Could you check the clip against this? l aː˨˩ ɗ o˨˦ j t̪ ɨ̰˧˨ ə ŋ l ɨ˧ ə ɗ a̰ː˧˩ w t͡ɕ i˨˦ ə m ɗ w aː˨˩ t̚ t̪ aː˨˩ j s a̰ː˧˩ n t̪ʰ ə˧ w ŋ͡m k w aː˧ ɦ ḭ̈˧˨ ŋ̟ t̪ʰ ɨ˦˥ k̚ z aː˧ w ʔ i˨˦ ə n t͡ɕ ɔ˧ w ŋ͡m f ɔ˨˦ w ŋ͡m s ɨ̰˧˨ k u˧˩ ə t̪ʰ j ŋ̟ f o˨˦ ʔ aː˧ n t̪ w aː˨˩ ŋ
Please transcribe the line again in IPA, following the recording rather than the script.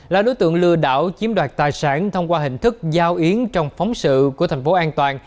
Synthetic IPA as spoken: l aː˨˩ ɗ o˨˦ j t̪ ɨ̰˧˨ ə ŋ l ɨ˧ ə ɗ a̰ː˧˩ w t͡ɕ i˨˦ ə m ɗ w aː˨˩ t̚ t̪ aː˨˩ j s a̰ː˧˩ n t̪ʰ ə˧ w ŋ͡m k w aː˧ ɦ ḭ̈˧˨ ŋ̟ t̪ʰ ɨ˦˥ k̚ z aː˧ w ʔ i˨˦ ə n t͡ɕ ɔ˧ w ŋ͡m f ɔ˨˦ w ŋ͡m s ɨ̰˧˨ k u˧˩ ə t̪ʰ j ŋ̟ f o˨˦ ʔ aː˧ n t̪ w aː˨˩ n

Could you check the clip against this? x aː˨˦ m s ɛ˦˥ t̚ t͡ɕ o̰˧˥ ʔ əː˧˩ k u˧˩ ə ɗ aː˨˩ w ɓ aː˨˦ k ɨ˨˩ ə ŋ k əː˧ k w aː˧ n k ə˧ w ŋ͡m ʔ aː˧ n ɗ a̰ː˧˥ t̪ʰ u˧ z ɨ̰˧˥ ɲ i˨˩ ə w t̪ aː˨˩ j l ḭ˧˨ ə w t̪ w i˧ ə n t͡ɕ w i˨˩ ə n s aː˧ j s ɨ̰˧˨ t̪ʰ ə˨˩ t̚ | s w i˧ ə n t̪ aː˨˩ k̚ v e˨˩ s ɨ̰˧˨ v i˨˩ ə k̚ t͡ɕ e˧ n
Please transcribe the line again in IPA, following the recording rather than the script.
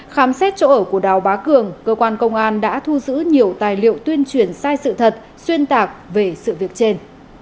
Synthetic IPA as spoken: x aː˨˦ m s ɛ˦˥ t̚ t͡ɕ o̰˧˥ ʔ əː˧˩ k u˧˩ ə ɗ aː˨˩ w ɓ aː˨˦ k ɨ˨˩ ə ŋ k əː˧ k w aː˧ n k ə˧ w ŋ͡m ʔ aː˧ n ɗ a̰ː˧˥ t̪ʰ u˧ z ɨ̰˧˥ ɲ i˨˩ ə w t̪ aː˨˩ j l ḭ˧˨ ə w t̪ w i˧ ə n t͡ɕ w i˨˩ ə n s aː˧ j s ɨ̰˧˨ t̪ʰ ə˨˩ t̚ | s w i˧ ə n t̪ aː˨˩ k̚ v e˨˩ s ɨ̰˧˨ v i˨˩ ə k̚ t͡ɕ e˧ n

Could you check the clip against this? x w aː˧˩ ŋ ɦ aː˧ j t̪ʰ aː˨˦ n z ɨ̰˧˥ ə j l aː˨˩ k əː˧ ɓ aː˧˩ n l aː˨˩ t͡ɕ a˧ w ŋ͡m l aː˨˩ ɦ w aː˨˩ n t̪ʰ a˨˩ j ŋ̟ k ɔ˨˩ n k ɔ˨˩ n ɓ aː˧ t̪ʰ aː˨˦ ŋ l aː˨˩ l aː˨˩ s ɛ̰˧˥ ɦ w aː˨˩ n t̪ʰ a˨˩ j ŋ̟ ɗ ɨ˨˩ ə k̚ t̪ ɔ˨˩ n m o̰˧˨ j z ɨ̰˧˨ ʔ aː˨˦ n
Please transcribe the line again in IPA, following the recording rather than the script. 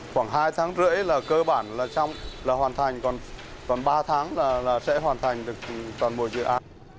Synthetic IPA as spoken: x w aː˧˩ ŋ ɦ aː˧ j t̪ʰ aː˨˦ ŋ z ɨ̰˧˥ ə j l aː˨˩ k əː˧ ɓ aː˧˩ n l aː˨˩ t͡ɕ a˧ w ŋ͡m l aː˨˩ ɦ w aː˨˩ n t̪ʰ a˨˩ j ŋ̟ k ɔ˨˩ n k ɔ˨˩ n ɓ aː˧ t̪ʰ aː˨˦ ŋ l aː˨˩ l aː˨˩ s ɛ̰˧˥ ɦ w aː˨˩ n t̪ʰ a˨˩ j ŋ̟ ɗ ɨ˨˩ ə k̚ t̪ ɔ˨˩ n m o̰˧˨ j z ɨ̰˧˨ ʔ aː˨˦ n

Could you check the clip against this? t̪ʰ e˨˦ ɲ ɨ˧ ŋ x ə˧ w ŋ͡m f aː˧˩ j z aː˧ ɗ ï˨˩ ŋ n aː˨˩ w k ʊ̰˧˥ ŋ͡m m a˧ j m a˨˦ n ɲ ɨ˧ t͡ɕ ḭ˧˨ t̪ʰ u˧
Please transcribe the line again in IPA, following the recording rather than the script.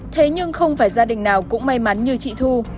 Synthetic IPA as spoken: t̪ʰ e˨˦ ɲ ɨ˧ ŋ x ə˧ w ŋ͡m f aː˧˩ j z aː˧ ɗ ï˨˩ ŋ n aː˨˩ w k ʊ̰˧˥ ŋ͡m m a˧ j m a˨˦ n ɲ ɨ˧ t͡ɕ ḭ˧˨ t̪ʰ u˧

